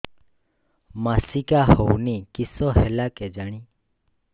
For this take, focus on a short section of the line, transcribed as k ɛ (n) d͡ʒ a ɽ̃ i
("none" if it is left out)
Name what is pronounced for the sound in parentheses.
none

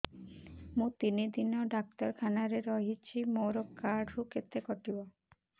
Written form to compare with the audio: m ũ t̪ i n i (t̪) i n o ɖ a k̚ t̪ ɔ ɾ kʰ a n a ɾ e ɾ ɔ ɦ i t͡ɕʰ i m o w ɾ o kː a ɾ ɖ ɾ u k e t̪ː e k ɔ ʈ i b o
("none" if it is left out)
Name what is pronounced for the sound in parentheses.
d̪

